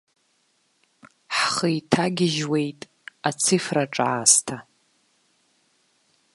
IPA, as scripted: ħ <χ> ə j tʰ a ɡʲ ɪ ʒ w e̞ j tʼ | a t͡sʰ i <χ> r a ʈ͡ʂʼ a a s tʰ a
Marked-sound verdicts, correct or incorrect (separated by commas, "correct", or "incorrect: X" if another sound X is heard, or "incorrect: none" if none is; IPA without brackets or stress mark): correct, incorrect: f